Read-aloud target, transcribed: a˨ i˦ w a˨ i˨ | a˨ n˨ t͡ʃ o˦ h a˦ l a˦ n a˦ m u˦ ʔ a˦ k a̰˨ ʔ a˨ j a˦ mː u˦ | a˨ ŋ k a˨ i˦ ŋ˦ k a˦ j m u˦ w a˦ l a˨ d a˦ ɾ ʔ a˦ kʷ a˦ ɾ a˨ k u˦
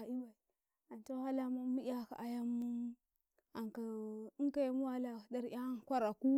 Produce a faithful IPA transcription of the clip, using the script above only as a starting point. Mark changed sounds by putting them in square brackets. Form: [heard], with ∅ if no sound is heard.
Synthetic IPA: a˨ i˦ w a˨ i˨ | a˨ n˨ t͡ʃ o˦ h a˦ l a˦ [m] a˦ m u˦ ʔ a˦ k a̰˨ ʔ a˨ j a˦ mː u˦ | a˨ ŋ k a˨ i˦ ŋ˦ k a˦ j m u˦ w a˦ l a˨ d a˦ ɾ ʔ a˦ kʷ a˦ ɾ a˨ k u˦